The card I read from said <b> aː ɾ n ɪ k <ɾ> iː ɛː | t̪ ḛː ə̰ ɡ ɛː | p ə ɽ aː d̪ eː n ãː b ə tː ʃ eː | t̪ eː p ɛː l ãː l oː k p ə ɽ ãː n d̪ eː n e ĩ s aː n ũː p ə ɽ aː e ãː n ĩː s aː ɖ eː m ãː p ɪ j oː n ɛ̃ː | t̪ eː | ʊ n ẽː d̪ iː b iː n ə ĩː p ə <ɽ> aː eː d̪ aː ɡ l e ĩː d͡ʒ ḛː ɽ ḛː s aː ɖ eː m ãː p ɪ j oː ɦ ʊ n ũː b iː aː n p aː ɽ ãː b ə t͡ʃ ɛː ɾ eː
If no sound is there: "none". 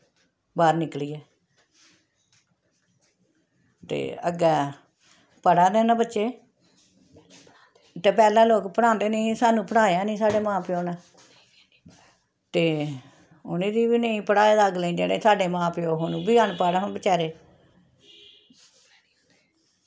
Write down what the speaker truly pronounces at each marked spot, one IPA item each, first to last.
b, l, ɽ

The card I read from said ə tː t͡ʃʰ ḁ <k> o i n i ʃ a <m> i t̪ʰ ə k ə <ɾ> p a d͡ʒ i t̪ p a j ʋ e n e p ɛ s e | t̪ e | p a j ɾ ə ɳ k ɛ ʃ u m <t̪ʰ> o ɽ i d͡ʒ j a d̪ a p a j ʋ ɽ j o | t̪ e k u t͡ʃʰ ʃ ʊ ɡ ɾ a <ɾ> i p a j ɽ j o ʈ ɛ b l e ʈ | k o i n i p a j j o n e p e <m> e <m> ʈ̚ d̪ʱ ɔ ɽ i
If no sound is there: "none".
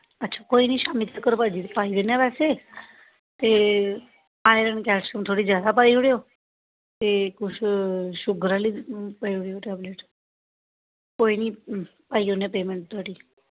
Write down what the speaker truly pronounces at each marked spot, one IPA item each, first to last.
k, m, ɾ, t̪ʰ, l, m, ɳ

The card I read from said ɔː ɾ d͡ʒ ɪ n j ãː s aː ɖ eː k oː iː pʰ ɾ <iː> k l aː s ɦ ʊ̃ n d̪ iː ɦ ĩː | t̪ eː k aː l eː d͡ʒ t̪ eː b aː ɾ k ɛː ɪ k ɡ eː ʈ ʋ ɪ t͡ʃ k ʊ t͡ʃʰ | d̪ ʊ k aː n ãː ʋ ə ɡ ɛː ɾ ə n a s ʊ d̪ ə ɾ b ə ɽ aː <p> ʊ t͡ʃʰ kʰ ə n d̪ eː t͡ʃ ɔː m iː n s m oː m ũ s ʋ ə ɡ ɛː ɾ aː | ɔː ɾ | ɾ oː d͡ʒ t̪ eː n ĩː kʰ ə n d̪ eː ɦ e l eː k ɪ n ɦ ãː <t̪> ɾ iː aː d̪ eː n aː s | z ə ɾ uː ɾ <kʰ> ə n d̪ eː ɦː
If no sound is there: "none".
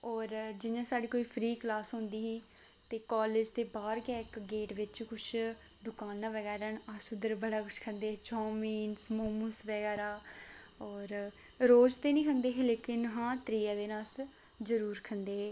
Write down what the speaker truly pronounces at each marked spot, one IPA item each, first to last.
iː, k, t̪, kʰ

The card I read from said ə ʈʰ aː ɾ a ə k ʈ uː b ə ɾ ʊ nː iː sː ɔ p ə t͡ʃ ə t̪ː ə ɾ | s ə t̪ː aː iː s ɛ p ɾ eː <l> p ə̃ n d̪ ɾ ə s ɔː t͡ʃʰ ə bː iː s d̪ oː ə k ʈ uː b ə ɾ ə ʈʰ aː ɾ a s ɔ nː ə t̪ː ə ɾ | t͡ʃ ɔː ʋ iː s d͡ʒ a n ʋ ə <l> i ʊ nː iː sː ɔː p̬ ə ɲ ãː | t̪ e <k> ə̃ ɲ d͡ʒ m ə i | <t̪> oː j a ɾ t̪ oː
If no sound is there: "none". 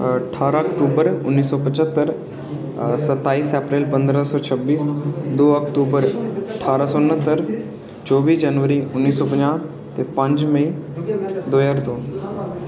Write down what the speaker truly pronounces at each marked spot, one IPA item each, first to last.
l, ɾ, p, d̪

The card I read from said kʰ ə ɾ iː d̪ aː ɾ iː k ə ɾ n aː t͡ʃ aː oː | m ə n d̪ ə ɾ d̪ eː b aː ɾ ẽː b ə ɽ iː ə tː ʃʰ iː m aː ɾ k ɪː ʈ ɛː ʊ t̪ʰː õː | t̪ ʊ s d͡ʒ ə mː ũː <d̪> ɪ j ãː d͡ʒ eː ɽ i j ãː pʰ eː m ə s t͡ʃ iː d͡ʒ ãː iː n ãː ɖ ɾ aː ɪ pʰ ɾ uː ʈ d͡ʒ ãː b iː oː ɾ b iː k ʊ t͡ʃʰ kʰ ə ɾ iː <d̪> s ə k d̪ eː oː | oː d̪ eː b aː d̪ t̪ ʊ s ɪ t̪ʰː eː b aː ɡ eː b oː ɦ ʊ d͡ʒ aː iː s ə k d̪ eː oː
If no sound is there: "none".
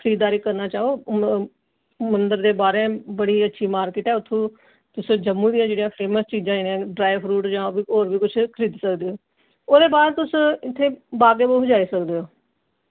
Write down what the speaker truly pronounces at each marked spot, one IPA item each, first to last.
d̪, d̪

